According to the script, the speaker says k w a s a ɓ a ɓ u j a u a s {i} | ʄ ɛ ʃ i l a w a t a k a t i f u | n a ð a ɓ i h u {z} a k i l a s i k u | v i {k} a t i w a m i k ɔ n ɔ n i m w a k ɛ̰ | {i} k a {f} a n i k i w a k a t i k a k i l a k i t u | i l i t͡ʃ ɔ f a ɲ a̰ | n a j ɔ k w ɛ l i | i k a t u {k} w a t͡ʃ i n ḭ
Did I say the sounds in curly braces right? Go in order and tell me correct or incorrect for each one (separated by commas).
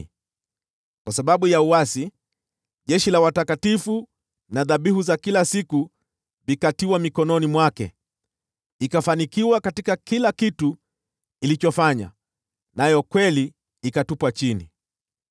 correct, correct, correct, correct, correct, incorrect